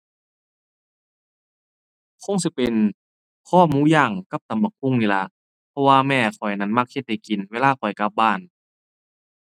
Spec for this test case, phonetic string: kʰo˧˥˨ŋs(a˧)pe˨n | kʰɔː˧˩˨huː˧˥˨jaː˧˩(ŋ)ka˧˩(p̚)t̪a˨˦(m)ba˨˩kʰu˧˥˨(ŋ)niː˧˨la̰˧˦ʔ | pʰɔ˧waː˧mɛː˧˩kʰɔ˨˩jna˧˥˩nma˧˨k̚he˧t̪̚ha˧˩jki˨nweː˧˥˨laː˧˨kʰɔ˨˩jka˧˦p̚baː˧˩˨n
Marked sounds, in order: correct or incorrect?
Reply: incorrect, correct, correct, correct, correct

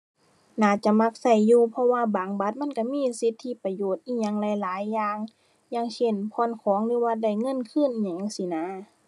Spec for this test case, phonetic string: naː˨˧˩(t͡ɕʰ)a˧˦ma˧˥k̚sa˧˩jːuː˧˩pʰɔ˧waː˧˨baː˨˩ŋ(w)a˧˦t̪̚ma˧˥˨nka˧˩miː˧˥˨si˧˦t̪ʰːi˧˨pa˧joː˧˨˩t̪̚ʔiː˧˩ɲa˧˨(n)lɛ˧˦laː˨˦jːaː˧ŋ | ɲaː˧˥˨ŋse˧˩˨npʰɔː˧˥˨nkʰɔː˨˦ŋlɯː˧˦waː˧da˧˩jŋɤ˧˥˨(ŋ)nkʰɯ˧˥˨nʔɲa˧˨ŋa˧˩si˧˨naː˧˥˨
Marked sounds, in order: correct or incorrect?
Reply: incorrect, incorrect, incorrect, incorrect

